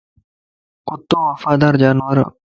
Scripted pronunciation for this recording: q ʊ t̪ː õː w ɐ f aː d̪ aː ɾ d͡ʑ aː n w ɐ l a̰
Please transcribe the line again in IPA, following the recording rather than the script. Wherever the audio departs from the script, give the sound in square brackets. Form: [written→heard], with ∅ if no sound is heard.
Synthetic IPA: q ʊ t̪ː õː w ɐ f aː d̪ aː ɾ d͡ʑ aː n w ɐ [l→ɾ] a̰